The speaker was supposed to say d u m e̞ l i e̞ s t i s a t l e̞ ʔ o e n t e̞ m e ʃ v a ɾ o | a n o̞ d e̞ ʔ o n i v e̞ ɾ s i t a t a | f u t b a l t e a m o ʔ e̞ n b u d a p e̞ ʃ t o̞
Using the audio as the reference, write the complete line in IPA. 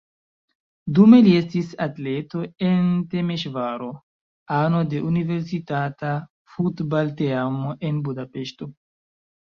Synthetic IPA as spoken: d u m e̞ l i e̞ s t i s a t l e̞ t o e n t e̞ m e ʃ v a ɾ o | a n o̞ d e̞ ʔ u n i v e̞ ɾ s i t a t a | f u t b a l t e a m o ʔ e̞ n b u d a p e̞ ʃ t o̞